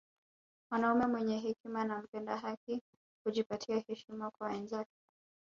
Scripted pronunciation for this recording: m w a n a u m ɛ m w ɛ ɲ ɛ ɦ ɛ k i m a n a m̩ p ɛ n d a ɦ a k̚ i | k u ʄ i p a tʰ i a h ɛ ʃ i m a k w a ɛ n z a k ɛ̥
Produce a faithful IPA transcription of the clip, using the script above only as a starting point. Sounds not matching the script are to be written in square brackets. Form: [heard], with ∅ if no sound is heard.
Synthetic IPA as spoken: m w a n a u m ɛ m w ɛ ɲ ɛ ɦ ɛ k i m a n a m̩ p ɛ n d a ɦ a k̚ i | k u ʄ i p a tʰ i a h ɛ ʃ i m a k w a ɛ n z a k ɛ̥